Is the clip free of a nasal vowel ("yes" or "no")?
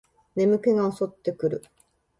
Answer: yes